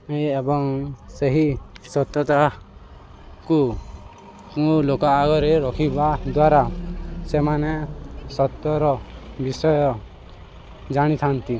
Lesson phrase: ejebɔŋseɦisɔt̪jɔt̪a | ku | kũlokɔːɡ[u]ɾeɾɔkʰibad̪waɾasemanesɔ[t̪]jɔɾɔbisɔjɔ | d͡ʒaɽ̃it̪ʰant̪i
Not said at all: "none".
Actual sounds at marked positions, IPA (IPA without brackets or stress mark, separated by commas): ɔ, t̪